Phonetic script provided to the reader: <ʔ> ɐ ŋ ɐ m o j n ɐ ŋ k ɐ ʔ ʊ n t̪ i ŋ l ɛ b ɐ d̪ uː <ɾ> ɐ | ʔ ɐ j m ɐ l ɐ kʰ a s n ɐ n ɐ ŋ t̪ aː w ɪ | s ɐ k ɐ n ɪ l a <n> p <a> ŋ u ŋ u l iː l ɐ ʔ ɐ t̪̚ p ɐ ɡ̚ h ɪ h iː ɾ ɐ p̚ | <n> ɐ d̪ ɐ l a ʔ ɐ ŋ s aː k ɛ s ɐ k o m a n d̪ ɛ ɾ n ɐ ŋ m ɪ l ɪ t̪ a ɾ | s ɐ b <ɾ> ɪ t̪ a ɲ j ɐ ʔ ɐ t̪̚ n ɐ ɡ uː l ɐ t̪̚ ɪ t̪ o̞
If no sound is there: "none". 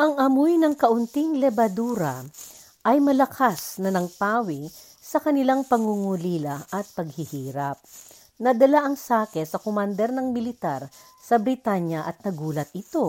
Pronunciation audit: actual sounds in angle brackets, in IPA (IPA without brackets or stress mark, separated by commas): ʔ, ɾ, ŋ, ɐ, n, ɾ